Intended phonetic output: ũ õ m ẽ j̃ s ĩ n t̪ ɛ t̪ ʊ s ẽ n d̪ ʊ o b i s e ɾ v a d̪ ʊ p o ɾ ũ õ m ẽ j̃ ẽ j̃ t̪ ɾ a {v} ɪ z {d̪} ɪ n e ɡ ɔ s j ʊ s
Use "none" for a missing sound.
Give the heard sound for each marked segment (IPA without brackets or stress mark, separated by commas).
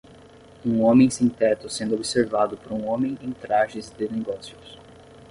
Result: ʒ, d̪